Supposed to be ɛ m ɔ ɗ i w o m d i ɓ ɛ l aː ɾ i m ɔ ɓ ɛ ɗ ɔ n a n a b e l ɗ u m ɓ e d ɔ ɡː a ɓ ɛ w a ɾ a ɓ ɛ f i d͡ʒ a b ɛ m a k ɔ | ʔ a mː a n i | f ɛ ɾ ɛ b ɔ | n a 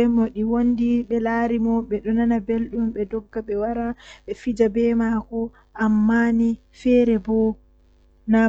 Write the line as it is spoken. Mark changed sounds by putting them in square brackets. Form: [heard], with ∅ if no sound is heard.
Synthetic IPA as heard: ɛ m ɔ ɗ i w o [n] d i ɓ ɛ l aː ɾ i m ɔ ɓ ɛ ɗ ɔ n a n a b e l ɗ u m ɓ [ɛ] d ɔ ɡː a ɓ ɛ w a ɾ a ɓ ɛ f i d͡ʒ a b ɛ m a k ɔ | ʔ a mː a n i | f ɛ ɾ ɛ b ɔ | n a